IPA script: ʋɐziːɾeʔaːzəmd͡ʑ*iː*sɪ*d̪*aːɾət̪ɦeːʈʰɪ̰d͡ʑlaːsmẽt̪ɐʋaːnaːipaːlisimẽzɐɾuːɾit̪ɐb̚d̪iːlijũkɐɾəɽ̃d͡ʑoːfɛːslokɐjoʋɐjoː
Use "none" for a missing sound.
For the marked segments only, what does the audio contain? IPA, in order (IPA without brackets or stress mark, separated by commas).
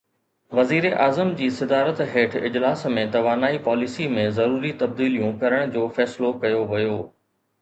iː, d̪